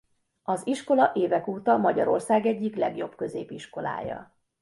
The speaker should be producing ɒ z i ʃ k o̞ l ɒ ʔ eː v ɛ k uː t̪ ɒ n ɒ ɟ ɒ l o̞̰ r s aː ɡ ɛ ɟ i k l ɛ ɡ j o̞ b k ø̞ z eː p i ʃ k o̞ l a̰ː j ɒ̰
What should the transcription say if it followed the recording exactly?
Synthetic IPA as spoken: ɒ z i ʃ k o̞ l ɒ ʔ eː v ɛ k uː t̪ ɒ m ɒ ɟ ɒ ɾ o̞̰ r s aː ɡ ɛ ɟː i k l ɛ ɡ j o̞ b k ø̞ z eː p i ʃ k o̞ l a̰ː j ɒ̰